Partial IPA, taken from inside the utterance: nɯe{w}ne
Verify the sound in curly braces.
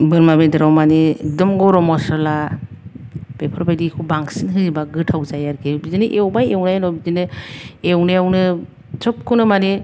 correct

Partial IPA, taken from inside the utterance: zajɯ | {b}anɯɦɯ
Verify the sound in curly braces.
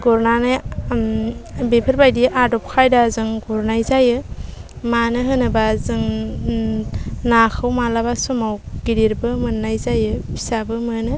incorrect: m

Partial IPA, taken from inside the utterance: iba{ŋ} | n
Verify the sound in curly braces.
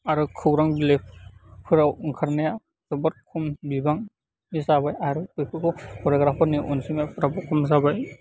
correct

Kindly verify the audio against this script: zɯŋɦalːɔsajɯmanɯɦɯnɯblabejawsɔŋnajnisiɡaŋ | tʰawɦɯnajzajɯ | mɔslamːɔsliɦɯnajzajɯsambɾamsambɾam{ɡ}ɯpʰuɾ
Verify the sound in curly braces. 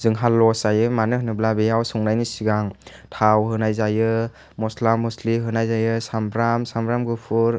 correct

